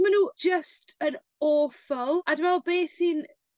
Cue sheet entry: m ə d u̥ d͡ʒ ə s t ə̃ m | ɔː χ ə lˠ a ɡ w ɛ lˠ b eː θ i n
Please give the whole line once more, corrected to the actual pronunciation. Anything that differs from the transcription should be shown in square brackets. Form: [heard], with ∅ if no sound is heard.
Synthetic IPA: m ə [n] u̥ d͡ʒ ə s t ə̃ [n] | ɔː [f] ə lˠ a [d] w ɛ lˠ b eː [s] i n